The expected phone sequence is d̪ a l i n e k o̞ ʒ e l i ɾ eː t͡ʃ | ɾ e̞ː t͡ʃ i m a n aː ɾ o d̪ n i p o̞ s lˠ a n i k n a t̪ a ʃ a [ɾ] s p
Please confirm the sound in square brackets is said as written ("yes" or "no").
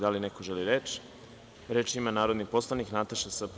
no